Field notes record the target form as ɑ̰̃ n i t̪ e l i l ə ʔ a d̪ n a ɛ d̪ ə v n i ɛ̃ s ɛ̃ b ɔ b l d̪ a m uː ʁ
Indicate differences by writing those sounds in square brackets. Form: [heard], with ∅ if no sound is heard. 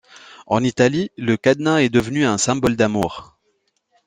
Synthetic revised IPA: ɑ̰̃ n i t̪ [a] l i l ə [k] a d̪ n a ɛ d̪ ə v n [y] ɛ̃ s ɛ̃ b ɔ [∅] l d̪ a m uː ʁ